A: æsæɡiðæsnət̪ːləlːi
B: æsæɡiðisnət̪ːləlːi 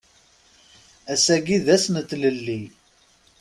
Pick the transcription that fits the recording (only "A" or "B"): A